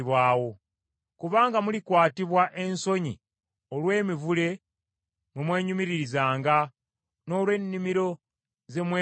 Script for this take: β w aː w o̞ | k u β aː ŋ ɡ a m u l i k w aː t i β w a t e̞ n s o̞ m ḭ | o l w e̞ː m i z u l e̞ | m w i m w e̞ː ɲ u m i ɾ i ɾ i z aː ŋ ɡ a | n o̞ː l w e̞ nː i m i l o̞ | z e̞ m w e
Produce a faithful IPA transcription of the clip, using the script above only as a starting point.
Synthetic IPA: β w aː w o̞ | k u β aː ŋ ɡ a m u l i k w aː t i β w a ʔ e̞ n s o̞ ɲ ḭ | o l w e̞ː m i v u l e̞ | m w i m w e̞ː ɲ u m i ɾ i ɾ i z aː ŋ ɡ a | n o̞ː l w e̞ nː i m i ɾ o̞ | z e̞ m w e